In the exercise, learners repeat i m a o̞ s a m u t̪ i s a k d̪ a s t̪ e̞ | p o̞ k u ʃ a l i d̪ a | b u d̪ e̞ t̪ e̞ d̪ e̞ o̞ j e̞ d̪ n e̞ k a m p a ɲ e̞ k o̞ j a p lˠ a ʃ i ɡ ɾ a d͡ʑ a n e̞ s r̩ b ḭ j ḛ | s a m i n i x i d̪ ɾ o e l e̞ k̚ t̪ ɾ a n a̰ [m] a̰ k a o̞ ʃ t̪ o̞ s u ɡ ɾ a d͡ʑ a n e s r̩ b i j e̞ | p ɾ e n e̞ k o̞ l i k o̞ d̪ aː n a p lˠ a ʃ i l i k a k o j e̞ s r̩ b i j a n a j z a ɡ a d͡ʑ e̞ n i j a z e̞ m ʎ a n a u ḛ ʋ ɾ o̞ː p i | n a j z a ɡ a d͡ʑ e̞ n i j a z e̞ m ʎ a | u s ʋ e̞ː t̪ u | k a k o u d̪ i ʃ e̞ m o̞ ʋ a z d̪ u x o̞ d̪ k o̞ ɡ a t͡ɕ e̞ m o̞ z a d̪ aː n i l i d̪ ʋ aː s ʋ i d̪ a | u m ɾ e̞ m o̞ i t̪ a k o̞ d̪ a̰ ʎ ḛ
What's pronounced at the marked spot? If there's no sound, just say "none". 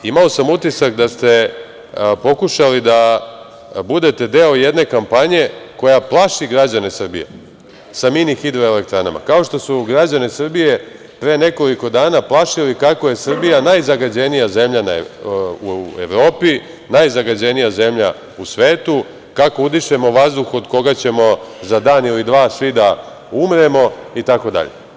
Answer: m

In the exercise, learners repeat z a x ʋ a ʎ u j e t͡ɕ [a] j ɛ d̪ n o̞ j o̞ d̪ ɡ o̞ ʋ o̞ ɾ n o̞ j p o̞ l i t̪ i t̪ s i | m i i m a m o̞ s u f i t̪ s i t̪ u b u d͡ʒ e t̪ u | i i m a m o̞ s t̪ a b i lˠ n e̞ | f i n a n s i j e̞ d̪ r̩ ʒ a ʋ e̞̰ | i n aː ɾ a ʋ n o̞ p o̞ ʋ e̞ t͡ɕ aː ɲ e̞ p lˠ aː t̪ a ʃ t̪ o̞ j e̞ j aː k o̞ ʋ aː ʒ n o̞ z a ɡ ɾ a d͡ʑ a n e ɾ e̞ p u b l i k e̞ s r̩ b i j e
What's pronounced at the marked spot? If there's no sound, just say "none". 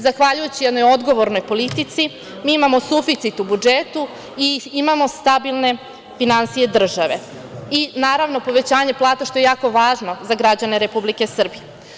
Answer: i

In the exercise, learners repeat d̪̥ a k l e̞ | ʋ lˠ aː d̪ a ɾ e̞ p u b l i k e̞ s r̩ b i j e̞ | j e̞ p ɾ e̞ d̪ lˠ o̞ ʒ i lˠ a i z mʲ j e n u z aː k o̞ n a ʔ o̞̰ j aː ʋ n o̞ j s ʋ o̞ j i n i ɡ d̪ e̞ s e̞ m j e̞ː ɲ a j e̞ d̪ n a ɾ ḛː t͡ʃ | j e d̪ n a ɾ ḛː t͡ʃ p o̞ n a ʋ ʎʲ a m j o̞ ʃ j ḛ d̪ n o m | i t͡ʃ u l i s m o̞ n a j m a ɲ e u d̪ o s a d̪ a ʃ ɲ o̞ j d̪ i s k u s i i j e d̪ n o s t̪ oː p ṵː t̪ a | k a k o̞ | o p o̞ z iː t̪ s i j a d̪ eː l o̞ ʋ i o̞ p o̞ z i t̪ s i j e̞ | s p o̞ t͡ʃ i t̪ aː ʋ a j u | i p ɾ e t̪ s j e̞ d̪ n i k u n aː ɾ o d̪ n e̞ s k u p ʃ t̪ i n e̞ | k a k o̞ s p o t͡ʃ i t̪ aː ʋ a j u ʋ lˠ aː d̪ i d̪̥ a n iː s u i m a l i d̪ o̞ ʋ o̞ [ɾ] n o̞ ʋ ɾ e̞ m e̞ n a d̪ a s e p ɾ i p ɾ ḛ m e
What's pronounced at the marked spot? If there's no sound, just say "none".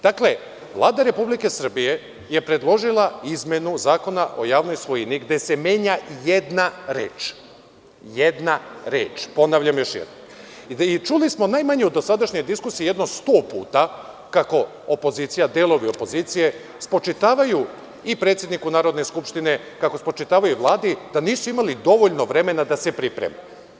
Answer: ʎ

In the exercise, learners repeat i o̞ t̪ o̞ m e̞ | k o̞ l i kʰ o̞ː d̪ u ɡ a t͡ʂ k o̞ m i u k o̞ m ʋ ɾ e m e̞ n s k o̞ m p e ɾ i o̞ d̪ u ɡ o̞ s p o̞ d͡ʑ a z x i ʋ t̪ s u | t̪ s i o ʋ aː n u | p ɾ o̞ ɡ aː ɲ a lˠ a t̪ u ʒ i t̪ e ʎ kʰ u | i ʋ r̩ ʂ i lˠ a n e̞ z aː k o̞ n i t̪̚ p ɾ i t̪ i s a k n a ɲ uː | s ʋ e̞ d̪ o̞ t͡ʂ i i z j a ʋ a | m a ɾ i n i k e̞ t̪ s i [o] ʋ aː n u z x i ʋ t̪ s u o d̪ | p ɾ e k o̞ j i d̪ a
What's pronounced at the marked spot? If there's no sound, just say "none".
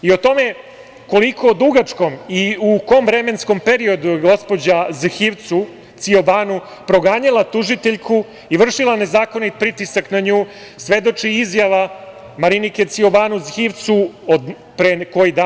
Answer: o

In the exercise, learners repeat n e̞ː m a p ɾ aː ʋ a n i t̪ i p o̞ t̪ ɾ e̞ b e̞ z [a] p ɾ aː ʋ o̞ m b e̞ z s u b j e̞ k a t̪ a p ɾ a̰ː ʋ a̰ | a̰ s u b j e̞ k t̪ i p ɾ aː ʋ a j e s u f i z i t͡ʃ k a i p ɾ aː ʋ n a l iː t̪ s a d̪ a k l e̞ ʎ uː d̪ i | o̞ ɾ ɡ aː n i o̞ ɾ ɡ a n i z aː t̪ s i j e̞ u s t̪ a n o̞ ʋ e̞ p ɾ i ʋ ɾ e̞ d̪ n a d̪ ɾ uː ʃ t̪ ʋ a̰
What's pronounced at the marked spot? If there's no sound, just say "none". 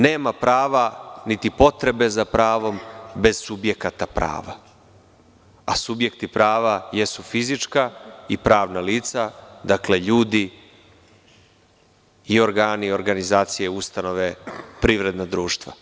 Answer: a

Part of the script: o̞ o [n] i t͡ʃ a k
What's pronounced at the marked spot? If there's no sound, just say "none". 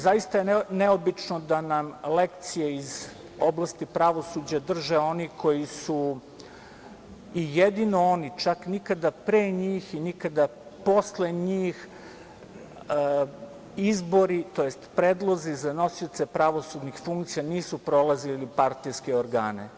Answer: n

